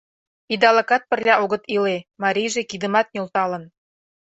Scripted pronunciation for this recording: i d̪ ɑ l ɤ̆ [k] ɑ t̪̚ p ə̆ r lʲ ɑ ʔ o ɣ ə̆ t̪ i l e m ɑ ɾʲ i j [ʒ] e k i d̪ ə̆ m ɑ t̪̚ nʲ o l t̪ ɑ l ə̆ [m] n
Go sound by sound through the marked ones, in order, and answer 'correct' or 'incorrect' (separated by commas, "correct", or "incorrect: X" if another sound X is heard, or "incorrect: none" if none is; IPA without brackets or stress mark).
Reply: correct, correct, incorrect: none